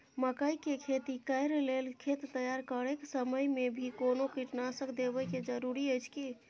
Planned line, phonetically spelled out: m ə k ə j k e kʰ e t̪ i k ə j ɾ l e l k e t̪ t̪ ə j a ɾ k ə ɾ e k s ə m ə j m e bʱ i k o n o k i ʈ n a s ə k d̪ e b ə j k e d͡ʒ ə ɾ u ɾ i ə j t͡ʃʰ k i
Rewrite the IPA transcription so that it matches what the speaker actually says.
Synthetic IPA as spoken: m ə k ə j k e kʰ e t̪ i k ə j ɾ l e l kʰ e t̪ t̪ ə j a ɾ k ə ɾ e k s ə m ə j m e bʱ i k o n o k i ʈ n a s ə k d̪ e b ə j k e d͡ʒ ə ɾ u ɾ i ə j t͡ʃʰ k i